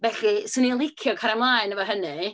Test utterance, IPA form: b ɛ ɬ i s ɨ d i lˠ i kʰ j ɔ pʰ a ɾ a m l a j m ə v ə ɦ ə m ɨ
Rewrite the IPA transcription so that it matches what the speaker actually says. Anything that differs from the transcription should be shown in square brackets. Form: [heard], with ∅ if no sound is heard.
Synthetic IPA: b ɛ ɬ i s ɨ [n] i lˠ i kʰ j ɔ [kʰ] a ɾ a m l a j [n] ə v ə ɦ ə [n] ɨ